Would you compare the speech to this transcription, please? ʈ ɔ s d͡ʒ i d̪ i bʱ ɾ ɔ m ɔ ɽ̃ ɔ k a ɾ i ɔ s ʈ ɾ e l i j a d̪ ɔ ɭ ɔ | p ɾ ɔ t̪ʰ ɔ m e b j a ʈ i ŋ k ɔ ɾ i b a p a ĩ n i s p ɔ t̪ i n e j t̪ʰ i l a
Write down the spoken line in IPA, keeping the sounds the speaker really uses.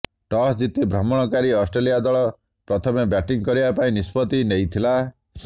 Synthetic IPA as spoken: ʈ ɔ s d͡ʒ i t̪ i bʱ ɾ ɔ m ɔ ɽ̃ ɔ k a ɾ i ɔ s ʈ ɾ e l i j a d̪ ɔ ɭ ɔ | p ɾ ɔ t̪ʰ ɔ m e b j a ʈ i ŋ k ɔ ɾ i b a p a ĩ n i s p ɔ t̪ i n e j t̪ʰ i l a